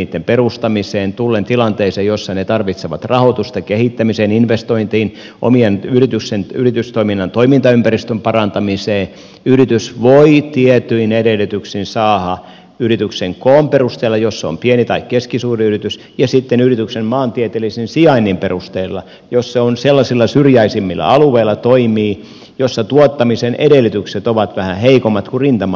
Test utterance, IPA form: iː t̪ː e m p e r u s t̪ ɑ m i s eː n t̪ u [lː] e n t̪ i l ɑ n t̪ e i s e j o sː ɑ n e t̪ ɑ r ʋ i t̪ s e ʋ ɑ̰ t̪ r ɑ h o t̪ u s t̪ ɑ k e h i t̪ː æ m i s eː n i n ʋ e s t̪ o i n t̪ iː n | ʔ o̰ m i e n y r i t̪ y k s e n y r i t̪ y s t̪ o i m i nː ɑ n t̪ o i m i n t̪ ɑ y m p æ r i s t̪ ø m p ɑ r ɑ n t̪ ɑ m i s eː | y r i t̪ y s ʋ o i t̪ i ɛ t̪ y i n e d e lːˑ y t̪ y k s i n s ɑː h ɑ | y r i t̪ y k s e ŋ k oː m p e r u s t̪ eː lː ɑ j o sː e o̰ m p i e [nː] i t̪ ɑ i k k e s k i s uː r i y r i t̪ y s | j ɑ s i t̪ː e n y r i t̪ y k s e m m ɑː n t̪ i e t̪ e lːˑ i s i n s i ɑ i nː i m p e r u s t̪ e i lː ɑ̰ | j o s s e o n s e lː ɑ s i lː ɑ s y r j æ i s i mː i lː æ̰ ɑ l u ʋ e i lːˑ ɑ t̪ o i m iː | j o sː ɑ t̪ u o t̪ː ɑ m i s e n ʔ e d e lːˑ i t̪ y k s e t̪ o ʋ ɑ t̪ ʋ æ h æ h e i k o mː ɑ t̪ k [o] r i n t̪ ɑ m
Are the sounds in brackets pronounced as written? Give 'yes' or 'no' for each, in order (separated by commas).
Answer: yes, no, no